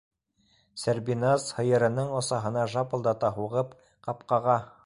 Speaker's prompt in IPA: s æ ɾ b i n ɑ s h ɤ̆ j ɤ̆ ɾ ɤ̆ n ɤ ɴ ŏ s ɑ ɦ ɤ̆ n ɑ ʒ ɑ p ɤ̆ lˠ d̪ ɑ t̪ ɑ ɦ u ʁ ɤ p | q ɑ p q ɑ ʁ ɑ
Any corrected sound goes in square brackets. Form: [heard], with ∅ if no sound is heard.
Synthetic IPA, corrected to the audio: s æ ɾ b i n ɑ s h ɤ̆ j ɤ̆ ɾ ɤ̆ n ɤ ɴ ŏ s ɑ ɦ ɤ̆ n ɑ ʒ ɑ p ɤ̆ lˠ d̪ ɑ t̪ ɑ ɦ u ʁ ɤ p | q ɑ p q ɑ ʁ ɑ